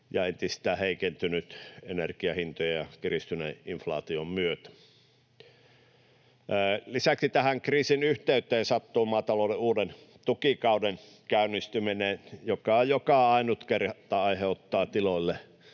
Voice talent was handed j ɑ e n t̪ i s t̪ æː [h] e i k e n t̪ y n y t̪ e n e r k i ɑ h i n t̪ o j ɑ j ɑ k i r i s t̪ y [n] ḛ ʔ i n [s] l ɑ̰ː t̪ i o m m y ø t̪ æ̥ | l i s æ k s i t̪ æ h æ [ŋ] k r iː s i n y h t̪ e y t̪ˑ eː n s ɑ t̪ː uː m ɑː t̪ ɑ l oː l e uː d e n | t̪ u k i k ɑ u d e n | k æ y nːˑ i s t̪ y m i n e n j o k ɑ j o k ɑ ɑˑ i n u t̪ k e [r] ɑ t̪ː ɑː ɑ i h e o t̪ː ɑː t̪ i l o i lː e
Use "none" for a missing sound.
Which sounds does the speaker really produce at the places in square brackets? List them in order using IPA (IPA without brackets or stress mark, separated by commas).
h, n, f, ŋ, r